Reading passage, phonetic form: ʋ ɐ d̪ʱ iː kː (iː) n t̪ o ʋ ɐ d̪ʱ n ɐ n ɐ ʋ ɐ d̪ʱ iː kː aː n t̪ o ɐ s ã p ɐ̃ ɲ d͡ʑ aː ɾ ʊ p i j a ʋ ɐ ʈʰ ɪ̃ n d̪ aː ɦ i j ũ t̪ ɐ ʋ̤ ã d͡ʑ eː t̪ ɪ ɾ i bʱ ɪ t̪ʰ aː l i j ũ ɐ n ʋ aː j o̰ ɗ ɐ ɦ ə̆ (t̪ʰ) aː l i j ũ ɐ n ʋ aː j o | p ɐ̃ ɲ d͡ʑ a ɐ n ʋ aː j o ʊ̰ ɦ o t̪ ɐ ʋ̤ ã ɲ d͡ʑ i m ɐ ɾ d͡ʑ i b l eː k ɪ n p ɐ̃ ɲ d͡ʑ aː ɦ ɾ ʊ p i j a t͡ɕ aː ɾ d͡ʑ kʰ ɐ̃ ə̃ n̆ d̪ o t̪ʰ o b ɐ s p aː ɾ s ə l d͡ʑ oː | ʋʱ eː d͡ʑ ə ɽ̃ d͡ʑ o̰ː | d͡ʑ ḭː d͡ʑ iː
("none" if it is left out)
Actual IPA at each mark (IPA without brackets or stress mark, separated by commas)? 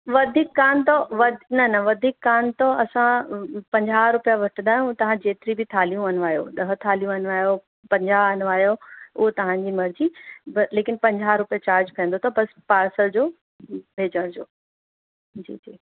aː, t̪ʰ